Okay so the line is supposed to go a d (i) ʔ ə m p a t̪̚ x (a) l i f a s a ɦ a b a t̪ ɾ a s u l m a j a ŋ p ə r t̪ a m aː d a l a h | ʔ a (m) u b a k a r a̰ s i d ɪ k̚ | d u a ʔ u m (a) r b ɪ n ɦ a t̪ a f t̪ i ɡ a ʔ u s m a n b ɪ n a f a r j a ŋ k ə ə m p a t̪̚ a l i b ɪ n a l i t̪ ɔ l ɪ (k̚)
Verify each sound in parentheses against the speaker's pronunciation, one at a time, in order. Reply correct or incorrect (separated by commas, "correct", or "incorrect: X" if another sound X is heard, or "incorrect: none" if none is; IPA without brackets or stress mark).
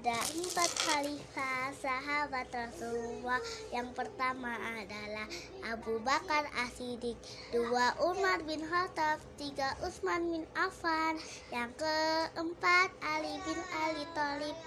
incorrect: a, correct, incorrect: b, correct, incorrect: p̚